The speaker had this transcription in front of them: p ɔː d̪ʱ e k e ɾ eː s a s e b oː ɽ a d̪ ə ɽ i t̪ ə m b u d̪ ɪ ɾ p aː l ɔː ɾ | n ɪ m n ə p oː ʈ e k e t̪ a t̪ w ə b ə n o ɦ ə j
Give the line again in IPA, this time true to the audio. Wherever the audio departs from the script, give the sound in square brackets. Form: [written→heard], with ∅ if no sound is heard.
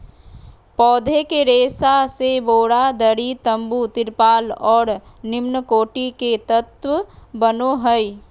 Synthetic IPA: p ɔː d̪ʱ e k e ɾ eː s a s e b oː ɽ a d̪ ə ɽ i t̪ ə m b u [d̪→t̪] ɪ ɾ p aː l ɔː ɾ | n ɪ m n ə [p→k] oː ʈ [e→i] k e t̪ [a→ə] t̪ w ə b ə n o ɦ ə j